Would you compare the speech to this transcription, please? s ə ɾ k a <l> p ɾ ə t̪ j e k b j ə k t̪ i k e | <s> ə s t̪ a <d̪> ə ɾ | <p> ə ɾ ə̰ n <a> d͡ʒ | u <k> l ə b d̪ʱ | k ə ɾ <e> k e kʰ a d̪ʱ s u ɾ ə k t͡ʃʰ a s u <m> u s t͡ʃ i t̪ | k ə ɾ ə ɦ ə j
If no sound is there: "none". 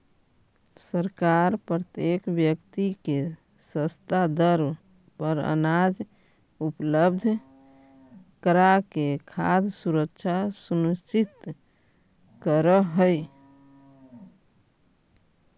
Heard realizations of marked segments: ɾ, s, d̪, p, a, p, a, n

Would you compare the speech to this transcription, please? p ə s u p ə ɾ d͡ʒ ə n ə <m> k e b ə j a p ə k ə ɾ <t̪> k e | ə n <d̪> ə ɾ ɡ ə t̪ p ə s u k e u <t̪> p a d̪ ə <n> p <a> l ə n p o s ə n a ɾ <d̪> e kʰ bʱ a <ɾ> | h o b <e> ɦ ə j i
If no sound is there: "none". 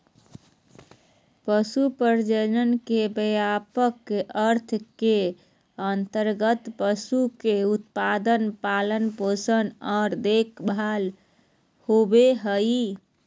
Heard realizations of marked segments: n, t̪ʰ, t̪, t̪, n, a, d̪, l, e

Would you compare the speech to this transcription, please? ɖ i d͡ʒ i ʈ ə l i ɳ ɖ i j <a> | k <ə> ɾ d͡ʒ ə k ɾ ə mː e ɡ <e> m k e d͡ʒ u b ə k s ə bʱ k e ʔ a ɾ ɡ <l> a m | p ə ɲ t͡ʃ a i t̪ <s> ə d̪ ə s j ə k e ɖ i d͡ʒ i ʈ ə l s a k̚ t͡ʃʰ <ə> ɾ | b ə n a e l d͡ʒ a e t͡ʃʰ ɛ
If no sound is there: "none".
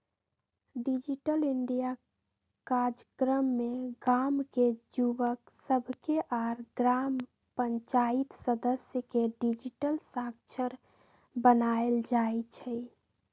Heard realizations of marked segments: a, a, a, ɾ, s, ə

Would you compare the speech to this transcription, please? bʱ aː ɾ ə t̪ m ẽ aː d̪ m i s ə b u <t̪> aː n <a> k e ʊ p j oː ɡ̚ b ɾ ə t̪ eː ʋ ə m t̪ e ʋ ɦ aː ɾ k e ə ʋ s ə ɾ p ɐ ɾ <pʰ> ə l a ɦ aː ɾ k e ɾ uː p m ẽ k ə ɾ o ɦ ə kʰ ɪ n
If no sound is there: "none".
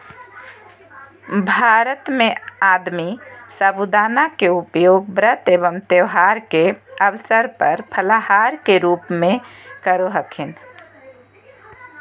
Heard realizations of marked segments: d̪, a, pʰ

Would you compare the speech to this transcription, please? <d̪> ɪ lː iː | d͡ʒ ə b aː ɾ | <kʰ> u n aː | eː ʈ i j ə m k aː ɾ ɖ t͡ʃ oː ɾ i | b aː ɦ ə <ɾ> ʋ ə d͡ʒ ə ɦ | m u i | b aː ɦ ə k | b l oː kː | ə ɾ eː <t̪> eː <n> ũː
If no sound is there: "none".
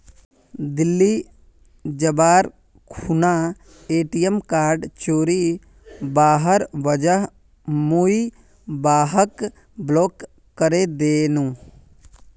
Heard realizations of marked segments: d̪, kʰ, ɾ, d̪, n

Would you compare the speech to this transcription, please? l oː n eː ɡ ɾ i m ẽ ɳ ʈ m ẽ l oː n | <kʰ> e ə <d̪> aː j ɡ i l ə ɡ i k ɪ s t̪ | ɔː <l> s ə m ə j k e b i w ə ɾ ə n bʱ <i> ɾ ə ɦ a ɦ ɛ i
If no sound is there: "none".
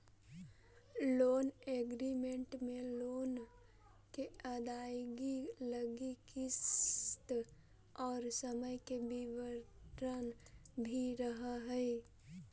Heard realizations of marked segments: k, d̪, ɾ, i

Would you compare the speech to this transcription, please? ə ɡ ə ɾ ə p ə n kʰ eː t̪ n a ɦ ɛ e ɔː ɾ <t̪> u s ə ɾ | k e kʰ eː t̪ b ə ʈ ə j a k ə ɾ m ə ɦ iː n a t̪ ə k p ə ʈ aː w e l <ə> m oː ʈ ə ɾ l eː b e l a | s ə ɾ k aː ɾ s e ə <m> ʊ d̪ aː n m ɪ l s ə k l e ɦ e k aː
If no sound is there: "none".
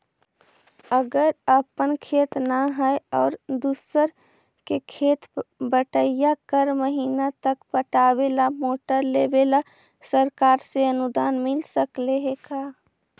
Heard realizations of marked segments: d̪, a, n

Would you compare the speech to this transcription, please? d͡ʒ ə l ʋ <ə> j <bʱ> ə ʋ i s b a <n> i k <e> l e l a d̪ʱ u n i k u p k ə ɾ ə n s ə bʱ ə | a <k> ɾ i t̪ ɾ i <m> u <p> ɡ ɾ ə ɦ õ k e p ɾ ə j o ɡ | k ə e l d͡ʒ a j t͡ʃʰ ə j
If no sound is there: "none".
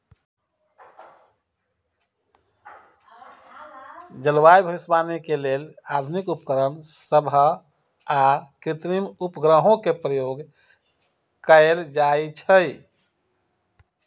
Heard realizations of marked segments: a, bʱ, n, e, k, m, p

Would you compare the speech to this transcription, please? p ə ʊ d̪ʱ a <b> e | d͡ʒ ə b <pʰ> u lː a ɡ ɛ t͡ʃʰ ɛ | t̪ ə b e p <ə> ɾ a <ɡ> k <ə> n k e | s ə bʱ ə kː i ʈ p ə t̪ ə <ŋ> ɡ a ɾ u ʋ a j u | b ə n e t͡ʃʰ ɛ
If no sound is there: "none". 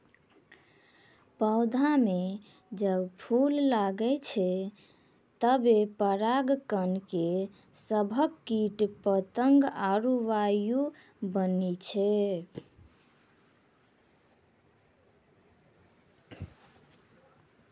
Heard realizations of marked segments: m, pʰ, ə, ɡ, ə, ŋ

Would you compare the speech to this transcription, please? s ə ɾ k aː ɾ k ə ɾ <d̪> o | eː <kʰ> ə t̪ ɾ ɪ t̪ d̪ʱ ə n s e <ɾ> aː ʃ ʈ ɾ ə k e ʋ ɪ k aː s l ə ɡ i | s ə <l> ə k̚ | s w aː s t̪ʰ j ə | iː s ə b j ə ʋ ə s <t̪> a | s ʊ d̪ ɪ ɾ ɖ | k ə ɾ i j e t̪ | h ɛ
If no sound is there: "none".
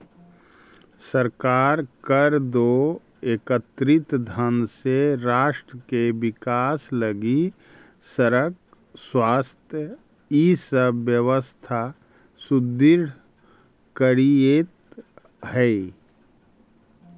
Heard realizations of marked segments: d̪, k, ɾ, ɾ, t̪ʰ

